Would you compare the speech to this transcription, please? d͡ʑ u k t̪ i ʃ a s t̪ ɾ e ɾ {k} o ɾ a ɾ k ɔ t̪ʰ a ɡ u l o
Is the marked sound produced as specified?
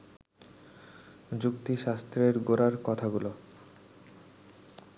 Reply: no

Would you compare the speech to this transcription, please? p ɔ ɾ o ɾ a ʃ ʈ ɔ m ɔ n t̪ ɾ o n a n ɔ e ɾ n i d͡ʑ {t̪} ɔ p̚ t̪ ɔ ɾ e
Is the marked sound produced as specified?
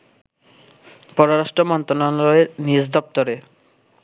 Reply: no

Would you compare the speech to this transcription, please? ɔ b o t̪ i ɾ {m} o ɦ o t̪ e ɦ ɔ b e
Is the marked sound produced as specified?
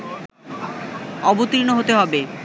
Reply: no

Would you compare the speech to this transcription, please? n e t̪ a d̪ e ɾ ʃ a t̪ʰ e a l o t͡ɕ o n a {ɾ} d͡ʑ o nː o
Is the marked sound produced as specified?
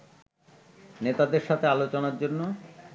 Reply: yes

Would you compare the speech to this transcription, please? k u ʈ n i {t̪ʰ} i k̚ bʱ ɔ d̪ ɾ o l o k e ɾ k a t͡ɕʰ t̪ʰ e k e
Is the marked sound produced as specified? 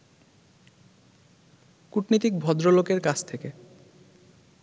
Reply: no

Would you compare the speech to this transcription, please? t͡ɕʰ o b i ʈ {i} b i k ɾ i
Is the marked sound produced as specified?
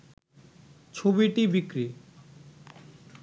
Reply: yes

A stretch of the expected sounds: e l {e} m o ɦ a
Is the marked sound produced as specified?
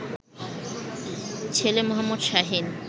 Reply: yes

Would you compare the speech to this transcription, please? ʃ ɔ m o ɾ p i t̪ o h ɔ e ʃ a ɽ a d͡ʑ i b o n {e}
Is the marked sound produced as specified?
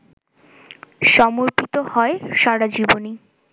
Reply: no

